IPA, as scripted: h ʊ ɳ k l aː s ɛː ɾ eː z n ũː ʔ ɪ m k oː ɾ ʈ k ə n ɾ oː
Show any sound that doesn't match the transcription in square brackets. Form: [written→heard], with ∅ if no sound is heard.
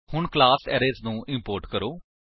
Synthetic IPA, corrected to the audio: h ʊ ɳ k l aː s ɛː ɾ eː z n ũː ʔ ɪ m [k→p] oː ɾ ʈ k ə [n→∅] ɾ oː